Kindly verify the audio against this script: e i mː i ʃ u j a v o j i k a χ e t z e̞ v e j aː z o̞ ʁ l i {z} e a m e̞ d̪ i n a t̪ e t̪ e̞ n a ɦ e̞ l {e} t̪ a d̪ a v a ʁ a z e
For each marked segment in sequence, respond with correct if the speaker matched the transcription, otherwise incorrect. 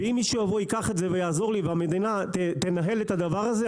incorrect: v, correct

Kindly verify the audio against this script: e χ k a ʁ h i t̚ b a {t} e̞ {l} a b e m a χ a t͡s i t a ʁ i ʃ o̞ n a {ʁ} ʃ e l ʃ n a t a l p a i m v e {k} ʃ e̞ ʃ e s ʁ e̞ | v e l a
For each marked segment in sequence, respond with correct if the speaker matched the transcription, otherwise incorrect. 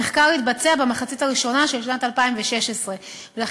incorrect: t͡s, incorrect: none, incorrect: none, incorrect: none

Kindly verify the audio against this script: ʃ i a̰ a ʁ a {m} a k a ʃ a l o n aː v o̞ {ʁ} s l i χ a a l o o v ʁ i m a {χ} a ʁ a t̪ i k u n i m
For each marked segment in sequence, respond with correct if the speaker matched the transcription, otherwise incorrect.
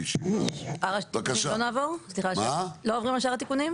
incorrect: none, correct, incorrect: ʃ

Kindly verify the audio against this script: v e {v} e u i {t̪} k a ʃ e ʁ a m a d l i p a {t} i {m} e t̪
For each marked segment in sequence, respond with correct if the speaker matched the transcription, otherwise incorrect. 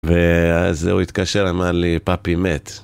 incorrect: z, correct, incorrect: p, correct

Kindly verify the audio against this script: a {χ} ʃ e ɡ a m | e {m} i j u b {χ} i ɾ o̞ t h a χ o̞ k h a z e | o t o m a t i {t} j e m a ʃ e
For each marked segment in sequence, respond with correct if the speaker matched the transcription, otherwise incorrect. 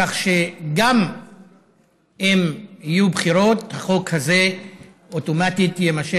correct, correct, correct, correct

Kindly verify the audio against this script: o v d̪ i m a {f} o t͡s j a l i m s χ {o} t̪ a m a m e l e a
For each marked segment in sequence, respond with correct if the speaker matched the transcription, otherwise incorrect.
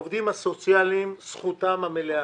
incorrect: s, incorrect: u

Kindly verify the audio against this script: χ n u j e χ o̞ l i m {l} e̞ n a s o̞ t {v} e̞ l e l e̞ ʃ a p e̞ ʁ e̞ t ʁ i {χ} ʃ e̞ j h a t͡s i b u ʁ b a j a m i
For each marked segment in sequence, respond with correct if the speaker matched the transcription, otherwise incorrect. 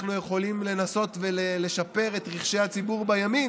correct, correct, correct

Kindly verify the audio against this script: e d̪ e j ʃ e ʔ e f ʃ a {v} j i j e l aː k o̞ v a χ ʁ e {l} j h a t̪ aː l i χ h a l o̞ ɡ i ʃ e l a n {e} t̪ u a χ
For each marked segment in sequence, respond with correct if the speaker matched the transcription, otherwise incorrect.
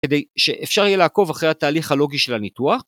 incorrect: ʁ, incorrect: none, incorrect: i

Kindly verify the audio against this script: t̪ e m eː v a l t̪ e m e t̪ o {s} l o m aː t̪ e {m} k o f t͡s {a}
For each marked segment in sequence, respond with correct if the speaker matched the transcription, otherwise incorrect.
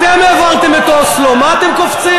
correct, correct, incorrect: i

